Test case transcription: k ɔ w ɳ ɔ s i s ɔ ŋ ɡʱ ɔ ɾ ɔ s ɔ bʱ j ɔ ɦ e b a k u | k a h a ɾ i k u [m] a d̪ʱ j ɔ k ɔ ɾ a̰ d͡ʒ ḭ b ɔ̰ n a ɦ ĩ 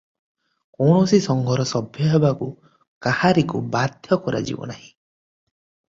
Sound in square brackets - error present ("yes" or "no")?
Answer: yes